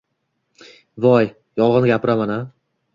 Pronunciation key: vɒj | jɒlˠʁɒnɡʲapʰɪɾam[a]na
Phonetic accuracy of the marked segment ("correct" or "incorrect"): correct